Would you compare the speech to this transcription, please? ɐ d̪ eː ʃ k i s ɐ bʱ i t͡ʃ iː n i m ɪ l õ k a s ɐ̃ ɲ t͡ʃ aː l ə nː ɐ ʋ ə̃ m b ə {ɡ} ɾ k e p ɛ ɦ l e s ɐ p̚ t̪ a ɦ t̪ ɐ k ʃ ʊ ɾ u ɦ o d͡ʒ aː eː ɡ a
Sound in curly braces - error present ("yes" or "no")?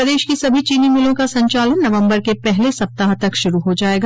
yes